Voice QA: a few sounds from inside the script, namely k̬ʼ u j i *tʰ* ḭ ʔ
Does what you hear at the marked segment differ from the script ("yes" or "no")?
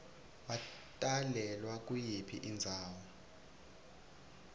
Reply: yes